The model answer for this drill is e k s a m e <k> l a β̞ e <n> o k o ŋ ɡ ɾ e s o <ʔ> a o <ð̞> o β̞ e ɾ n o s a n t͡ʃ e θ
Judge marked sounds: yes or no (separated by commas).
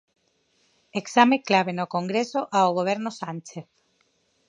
yes, yes, yes, no